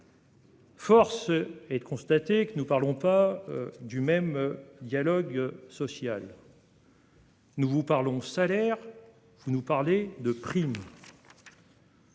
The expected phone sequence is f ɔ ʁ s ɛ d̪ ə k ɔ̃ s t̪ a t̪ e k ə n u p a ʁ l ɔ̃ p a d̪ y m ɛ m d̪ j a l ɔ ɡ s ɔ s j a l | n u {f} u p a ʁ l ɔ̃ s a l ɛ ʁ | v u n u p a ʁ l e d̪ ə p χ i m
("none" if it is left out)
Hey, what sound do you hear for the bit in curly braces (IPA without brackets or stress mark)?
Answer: v